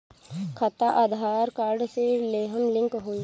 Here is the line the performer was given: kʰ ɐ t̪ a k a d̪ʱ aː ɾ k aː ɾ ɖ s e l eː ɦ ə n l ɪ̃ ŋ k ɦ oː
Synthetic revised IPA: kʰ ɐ t̪ a ʔ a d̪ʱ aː ɾ k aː ɾ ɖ s e l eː ɦ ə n l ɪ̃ ŋ k ɦ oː